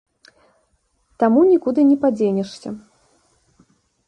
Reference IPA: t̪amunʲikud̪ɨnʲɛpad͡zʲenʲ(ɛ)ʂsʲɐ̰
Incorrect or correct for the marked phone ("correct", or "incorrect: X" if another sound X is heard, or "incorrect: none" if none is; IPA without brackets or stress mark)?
correct